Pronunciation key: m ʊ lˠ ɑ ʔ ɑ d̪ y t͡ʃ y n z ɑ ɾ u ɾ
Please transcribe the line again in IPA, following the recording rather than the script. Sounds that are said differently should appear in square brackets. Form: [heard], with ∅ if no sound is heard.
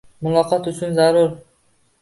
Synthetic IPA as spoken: m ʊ lˠ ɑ [q] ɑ [t̪] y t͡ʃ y n z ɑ ɾ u ɾ